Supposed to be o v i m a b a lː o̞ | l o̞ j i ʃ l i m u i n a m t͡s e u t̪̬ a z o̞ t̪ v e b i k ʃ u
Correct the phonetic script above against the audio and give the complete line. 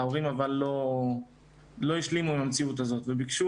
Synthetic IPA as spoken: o ʁ i m a v a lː o̞ | l o̞ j i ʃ l i m u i m a m t͡s i u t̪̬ a z o̞ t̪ v e b i k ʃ u